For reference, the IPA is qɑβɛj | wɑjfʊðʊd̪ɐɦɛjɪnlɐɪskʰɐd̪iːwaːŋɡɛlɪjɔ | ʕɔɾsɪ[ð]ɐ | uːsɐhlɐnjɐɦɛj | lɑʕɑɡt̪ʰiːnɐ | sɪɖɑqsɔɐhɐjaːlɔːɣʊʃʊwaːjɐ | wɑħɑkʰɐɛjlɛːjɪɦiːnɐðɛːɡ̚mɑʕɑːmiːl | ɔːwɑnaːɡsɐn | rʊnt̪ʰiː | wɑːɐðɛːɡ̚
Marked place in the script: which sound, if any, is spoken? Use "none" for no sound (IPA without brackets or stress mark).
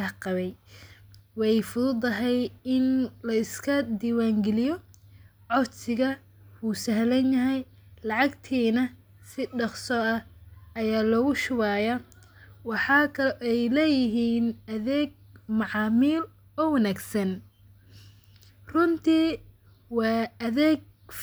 ɣ